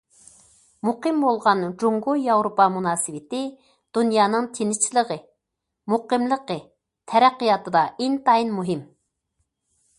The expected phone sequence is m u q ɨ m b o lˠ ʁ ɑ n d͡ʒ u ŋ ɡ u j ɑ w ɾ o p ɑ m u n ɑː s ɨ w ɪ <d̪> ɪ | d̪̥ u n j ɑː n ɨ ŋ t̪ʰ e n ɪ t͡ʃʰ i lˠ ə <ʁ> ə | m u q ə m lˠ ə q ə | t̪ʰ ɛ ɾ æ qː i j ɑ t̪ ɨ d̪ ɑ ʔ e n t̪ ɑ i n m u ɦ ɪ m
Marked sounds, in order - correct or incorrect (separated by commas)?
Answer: incorrect, correct